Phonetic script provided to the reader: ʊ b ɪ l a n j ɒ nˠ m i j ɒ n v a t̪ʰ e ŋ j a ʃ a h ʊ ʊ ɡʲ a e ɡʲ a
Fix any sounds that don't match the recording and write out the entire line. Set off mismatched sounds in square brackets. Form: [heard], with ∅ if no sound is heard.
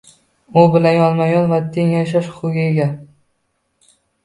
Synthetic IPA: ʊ b ɪ l a n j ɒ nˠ m [a] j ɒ n v a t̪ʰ e ŋ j a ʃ a [ʃ] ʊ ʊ ɡʲ a e ɡʲ a

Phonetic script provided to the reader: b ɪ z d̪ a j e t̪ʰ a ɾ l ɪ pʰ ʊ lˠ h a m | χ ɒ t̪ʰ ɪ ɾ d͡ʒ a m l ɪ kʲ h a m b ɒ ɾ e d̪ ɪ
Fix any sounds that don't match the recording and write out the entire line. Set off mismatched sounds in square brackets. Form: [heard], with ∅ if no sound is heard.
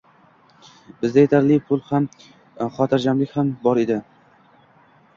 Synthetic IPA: b ɪ z d̪ a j e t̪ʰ a ɾ l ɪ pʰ ʊ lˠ h a m | χ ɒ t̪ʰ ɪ ɾ d͡ʒ a m l ɪ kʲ h a m b ɒ ɾ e d̪ ɪ

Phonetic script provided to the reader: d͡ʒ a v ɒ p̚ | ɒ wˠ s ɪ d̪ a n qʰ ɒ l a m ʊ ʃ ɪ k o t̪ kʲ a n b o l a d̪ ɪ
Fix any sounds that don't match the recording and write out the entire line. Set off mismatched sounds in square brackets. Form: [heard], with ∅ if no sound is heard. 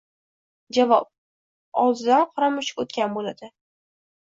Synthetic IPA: d͡ʒ a v ɒ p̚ | ɒ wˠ [z] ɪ d̪ a n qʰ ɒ [ɾ] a m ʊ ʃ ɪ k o t̪ kʲ a n b o l a d̪ ɪ

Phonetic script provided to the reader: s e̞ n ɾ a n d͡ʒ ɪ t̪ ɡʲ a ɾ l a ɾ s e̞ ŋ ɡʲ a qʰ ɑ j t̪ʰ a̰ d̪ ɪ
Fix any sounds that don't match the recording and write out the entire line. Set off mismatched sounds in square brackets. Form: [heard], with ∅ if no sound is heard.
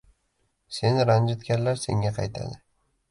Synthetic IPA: s e̞ n ɾ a n d͡ʒ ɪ t̪ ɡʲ a ɾ l a ɾ s e̞ ŋ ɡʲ a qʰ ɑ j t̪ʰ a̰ d̪ ɪ

